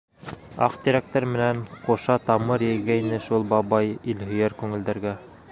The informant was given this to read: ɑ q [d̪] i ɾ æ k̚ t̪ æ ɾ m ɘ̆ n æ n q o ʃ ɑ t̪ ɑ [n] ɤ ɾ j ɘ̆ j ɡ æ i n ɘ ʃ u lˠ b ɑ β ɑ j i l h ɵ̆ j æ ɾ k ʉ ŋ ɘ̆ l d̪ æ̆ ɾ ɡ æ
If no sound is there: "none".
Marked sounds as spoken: t̪, m

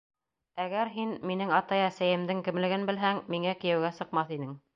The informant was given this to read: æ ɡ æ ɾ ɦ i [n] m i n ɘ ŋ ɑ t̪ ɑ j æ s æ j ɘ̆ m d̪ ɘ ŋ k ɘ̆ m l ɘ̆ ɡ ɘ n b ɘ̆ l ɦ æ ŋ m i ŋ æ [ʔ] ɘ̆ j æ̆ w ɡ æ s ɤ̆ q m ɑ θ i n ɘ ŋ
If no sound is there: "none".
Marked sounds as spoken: n, k

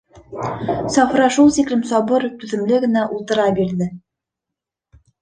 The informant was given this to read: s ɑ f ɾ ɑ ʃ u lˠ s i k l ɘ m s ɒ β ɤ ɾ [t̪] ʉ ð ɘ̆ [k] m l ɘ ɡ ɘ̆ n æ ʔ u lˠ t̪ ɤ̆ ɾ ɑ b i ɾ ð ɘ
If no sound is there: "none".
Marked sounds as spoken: t̪, none

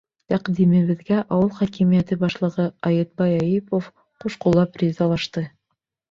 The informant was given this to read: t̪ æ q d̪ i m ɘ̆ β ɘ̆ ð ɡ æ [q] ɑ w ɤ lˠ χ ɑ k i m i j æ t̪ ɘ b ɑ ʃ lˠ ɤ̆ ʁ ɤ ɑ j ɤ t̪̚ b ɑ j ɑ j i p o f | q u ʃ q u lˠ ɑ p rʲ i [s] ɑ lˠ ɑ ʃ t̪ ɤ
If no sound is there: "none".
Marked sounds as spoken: ʔ, z

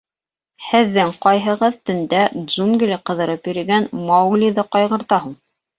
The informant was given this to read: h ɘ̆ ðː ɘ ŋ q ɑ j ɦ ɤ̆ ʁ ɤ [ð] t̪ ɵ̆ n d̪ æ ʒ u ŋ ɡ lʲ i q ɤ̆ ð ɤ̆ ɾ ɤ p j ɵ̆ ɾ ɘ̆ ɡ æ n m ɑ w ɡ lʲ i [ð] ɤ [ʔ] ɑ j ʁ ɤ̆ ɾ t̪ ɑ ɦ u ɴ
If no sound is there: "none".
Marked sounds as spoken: ð, ð, q

